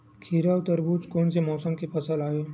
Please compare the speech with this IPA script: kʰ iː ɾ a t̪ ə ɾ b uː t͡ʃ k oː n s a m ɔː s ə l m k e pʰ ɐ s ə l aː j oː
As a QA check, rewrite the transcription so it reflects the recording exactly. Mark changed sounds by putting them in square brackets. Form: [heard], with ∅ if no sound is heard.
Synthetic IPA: kʰ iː ɾ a t̪ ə ɾ b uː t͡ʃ k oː n s [e] m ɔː s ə [∅] m k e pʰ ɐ s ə l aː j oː